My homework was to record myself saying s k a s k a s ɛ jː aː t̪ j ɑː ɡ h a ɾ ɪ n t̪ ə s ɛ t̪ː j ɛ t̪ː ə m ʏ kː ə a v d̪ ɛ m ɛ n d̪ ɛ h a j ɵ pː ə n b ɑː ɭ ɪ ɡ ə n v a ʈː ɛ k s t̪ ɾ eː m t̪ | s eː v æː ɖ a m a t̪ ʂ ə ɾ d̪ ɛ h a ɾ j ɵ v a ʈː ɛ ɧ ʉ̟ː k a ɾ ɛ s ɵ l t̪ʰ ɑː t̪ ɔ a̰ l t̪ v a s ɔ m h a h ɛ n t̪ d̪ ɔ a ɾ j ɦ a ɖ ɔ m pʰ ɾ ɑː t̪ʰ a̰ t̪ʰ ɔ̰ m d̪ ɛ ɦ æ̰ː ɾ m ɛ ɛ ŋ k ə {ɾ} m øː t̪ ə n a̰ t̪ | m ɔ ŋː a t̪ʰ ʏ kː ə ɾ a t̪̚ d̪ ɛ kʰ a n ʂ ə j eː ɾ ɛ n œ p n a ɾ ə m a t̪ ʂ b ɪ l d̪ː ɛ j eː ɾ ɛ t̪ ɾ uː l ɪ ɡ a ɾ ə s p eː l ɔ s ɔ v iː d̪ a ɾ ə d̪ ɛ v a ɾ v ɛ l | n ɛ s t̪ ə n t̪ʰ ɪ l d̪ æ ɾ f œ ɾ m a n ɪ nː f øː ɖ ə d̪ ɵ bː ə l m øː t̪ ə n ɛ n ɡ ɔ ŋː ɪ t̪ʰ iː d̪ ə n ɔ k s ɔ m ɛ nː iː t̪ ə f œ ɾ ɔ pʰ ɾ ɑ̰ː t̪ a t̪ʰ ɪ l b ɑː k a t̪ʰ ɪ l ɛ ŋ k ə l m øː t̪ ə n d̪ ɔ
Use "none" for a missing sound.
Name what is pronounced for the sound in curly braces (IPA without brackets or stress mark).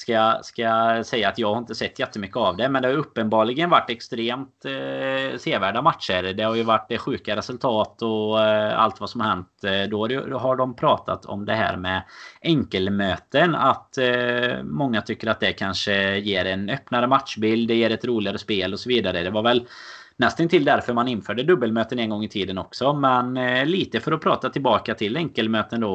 l